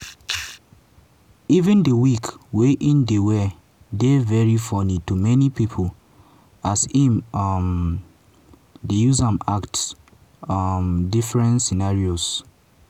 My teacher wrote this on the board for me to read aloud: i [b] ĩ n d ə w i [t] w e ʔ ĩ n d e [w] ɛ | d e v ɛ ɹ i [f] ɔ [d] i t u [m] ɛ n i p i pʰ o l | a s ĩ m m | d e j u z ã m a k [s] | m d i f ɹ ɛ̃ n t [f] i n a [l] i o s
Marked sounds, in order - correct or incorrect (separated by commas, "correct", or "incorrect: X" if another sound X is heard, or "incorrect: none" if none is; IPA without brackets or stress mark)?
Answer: incorrect: v, incorrect: k, correct, correct, incorrect: n, correct, incorrect: t, incorrect: s, incorrect: ɹ